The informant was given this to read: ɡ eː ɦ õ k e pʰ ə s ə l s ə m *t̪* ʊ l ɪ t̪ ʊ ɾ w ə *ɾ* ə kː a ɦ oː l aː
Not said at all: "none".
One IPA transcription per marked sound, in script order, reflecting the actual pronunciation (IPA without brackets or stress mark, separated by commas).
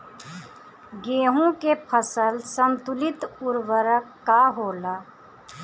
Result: t̪, ɾ